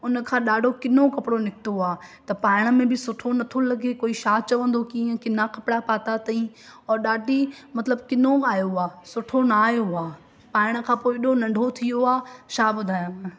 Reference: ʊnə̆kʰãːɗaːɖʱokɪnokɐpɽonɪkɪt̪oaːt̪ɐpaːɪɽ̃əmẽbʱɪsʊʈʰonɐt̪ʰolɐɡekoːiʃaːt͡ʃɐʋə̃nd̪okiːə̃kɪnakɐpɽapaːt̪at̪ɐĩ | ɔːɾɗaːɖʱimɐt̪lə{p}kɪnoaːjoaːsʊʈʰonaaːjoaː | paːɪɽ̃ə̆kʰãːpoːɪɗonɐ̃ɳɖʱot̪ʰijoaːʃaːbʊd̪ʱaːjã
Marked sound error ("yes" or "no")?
yes